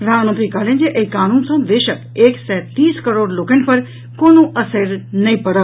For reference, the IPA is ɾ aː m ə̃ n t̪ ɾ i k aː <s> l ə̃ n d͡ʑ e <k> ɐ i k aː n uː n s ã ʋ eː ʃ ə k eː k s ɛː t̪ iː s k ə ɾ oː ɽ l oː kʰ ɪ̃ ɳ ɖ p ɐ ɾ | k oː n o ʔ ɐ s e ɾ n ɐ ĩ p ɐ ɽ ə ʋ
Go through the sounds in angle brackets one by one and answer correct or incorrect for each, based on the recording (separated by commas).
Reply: incorrect, incorrect